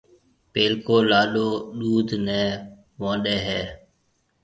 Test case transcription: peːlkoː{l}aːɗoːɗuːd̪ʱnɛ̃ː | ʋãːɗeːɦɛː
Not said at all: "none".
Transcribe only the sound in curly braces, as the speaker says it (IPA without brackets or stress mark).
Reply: l